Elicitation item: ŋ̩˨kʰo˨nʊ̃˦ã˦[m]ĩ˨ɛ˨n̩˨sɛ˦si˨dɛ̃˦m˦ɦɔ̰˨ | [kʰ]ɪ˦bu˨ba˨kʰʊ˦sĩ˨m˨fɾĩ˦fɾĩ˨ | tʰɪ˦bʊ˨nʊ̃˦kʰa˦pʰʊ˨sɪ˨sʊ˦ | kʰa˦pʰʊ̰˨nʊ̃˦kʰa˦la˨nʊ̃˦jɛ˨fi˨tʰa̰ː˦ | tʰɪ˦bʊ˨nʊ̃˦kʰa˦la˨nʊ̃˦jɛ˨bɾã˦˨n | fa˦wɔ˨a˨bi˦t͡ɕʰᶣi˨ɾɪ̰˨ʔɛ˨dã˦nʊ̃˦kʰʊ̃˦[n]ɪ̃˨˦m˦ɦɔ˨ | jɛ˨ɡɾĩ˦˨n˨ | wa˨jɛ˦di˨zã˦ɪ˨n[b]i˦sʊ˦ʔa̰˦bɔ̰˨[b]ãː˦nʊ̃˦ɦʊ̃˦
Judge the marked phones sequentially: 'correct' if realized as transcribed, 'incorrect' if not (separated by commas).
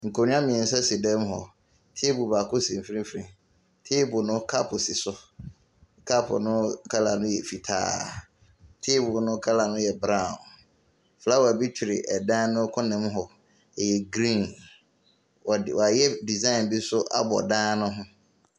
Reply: correct, incorrect, correct, correct, incorrect